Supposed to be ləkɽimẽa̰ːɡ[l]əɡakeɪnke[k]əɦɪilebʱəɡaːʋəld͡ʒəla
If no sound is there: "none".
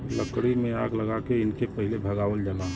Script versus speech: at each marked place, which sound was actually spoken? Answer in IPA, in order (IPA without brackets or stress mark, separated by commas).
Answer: l, p